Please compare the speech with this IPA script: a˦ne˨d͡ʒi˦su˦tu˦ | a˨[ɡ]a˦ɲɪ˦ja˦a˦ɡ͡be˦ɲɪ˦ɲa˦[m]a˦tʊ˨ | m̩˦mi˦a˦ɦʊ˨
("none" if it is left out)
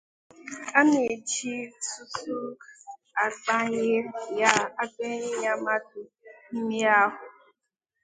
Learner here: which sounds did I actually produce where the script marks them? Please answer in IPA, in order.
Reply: ɡ͡b, m

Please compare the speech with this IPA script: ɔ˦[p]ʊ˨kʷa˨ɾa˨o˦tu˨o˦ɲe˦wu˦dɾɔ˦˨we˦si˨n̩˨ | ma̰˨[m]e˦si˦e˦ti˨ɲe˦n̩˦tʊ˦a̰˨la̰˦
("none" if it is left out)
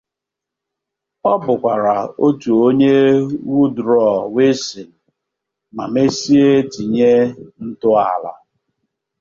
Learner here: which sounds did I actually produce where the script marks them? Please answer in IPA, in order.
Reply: b, m

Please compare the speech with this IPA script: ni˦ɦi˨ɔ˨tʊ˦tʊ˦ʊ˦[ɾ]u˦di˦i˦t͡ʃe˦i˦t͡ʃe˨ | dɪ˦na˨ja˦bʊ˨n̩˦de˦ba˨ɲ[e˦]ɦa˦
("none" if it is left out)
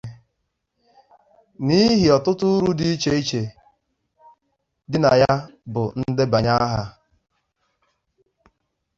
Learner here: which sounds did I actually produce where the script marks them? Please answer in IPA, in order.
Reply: ɾ, a˦

